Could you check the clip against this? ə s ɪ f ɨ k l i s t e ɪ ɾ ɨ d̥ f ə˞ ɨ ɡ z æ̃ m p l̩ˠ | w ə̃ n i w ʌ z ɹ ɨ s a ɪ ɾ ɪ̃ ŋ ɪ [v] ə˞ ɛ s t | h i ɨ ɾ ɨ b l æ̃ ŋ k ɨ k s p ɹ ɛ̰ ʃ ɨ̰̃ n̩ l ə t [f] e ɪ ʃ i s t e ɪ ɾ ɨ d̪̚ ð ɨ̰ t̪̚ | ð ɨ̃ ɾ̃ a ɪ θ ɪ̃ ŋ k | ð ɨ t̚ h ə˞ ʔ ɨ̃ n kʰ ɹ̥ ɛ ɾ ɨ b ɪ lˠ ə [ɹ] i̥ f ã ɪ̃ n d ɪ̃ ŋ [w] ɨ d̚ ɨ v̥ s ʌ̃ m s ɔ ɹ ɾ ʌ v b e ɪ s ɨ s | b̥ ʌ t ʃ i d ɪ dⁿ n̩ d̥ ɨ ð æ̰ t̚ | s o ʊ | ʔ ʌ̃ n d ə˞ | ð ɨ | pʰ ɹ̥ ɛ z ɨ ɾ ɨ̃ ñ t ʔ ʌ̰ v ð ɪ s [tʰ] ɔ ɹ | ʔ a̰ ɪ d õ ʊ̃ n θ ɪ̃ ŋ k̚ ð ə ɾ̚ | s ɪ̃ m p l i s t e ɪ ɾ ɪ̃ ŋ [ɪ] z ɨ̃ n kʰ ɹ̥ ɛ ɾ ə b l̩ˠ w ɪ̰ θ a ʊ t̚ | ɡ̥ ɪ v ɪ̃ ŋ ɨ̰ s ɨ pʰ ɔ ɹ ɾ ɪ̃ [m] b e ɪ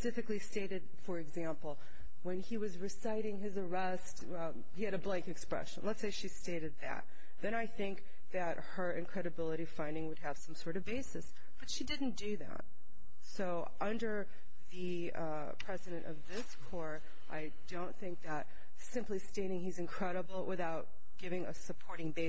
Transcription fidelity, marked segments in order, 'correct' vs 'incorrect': incorrect: z, incorrect: s, incorrect: ɾ, correct, incorrect: kʰ, incorrect: i, incorrect: ŋ

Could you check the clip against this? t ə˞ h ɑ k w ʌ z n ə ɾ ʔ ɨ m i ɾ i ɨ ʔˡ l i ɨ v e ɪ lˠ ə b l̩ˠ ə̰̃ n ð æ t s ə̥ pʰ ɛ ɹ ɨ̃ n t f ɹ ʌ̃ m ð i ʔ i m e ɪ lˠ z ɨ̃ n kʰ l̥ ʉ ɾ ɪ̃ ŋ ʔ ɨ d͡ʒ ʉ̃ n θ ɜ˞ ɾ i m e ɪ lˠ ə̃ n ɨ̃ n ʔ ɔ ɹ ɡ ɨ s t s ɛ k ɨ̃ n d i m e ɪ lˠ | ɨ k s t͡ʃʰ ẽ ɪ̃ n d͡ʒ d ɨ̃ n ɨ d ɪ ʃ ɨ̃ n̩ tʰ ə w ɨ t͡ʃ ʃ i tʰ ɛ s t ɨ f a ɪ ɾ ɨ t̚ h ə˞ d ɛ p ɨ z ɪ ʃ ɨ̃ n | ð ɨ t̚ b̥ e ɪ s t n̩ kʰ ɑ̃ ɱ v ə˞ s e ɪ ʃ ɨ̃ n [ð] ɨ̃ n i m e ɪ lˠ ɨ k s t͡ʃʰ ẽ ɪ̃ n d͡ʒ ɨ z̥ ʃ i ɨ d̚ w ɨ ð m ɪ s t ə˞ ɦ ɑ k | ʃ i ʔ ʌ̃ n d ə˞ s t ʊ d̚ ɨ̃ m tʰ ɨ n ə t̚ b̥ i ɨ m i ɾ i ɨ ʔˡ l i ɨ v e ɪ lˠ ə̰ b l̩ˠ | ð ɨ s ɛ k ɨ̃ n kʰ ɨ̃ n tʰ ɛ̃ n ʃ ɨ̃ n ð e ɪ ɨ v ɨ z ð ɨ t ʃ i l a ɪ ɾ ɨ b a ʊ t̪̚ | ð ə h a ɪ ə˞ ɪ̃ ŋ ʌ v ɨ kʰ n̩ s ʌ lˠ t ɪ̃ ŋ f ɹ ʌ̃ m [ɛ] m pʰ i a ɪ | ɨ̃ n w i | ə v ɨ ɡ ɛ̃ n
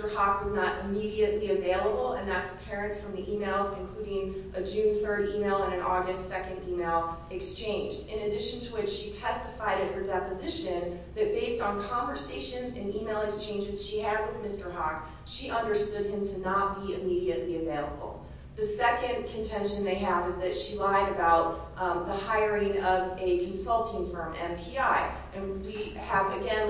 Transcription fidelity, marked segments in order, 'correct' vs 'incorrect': incorrect: z, incorrect: ɛ̃

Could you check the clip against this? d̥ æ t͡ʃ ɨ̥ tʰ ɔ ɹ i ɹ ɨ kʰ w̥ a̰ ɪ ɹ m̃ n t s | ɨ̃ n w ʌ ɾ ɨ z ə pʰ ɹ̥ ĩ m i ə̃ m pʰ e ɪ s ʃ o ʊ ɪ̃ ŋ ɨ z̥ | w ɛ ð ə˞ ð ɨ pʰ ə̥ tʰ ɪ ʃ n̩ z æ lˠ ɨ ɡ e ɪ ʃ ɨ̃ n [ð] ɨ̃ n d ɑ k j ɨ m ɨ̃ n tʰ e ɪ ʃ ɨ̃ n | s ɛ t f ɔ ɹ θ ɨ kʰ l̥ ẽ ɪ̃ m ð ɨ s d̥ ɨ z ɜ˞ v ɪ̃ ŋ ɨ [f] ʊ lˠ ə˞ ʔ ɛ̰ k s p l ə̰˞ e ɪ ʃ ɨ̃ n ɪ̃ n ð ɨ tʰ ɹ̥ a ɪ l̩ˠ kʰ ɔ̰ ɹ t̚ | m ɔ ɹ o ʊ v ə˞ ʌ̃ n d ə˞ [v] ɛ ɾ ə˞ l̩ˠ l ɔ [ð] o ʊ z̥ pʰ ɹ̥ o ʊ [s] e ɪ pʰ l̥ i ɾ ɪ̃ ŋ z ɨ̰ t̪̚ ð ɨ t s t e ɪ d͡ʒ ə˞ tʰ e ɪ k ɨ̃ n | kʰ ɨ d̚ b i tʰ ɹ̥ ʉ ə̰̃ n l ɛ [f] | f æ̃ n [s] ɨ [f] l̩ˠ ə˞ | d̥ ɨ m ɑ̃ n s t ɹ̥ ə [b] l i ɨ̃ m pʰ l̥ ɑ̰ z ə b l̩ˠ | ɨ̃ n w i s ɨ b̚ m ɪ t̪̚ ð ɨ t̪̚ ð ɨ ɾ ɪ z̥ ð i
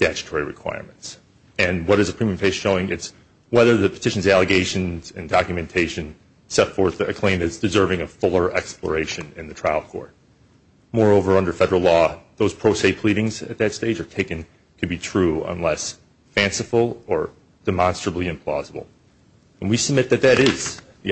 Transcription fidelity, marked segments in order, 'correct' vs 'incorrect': incorrect: z, correct, incorrect: f, correct, correct, incorrect: s, correct, correct, correct

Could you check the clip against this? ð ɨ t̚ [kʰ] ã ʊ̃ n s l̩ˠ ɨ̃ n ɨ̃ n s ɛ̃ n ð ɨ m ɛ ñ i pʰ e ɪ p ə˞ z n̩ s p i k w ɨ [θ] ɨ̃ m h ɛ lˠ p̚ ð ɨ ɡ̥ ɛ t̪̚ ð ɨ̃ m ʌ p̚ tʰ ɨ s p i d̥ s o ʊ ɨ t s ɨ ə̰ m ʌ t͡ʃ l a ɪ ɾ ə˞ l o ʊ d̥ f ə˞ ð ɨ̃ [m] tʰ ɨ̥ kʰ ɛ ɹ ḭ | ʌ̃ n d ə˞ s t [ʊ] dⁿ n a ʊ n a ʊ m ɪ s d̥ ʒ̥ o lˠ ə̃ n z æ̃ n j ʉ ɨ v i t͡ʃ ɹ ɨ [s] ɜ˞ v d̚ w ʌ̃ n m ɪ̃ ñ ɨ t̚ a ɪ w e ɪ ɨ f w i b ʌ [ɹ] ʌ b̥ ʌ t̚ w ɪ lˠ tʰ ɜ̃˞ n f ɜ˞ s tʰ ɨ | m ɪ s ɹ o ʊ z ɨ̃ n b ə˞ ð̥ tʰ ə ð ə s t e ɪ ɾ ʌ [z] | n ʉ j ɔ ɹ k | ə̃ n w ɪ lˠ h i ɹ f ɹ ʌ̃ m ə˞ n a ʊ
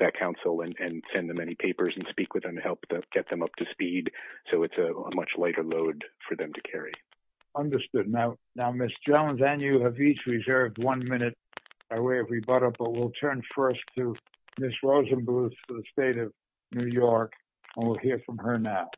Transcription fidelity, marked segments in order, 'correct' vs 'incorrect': correct, incorrect: ð, correct, correct, incorrect: z, incorrect: ɾ, incorrect: v

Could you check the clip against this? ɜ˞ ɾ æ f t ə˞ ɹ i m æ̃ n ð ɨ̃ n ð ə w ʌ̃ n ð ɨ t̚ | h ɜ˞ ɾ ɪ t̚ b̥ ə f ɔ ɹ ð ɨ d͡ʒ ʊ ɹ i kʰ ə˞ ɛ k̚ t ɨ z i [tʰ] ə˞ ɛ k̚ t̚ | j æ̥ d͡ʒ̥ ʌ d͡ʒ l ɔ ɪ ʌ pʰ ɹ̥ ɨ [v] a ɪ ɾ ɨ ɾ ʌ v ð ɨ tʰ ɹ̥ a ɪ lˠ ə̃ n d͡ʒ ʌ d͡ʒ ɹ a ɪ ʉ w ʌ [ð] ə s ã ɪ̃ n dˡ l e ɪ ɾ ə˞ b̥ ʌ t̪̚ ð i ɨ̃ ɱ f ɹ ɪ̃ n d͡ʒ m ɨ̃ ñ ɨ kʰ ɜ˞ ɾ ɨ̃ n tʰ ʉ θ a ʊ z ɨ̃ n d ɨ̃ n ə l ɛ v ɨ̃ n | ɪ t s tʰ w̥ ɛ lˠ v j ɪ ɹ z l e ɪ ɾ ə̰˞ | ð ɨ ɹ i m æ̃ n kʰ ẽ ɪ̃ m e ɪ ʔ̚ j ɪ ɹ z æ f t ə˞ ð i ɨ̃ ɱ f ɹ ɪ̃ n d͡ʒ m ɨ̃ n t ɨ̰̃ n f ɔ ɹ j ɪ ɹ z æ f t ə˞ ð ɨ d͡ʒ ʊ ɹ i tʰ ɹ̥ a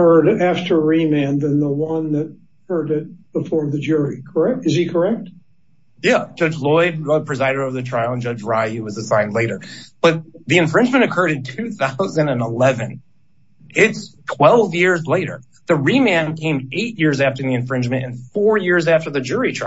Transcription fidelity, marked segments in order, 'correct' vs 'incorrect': incorrect: kʰ, incorrect: z, incorrect: z

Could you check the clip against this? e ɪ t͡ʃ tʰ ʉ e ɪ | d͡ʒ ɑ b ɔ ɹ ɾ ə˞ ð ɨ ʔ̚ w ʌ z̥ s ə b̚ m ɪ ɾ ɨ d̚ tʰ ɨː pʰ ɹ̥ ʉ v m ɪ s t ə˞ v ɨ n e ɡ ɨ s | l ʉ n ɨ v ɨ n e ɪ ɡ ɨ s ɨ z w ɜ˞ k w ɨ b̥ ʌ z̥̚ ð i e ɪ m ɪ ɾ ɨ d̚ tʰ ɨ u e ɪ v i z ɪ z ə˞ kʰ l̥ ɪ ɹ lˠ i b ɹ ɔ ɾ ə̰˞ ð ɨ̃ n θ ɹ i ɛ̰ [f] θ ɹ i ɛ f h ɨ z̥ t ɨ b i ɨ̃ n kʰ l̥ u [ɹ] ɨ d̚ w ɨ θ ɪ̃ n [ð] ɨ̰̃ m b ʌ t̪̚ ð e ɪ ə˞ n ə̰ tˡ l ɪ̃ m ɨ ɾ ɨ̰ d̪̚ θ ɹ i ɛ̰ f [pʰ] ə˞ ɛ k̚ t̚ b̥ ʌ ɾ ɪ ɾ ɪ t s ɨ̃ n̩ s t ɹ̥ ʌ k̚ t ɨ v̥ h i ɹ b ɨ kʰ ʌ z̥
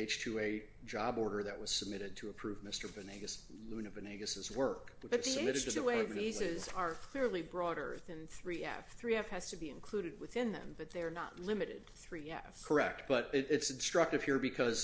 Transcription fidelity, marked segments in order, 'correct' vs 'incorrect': correct, incorrect: ɾ, correct, incorrect: kʰ

